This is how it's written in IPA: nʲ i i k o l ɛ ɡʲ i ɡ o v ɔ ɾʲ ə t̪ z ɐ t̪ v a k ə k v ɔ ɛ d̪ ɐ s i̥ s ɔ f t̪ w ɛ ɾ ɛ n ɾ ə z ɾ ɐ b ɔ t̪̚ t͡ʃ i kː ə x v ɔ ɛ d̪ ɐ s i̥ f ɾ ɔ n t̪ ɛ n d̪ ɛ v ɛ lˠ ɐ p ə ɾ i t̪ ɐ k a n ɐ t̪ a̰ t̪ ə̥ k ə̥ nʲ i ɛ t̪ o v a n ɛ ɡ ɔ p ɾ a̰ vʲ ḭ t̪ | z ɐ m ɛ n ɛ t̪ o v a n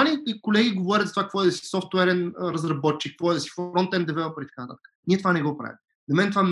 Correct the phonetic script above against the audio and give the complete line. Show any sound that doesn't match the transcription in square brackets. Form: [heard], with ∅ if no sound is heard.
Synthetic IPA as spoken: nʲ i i k o l ɛ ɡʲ i ɡ o v ɔ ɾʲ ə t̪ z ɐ t̪ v a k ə k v ɔ ɛ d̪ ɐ s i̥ s ɔ f t̪ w ɛ ɾ ɛ n ɾ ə z ɾ ɐ b ɔ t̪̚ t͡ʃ i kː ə [k] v ɔ ɛ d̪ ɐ s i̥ f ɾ ɔ n t̪ ɛ n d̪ ɛ v ɛ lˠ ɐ p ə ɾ i t̪ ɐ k a n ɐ t̪ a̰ t̪ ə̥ k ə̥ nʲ i ɛ t̪ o v a n ɛ ɡ ɔ p ɾ a̰ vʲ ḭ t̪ | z ɐ m ɛ n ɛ t̪ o v a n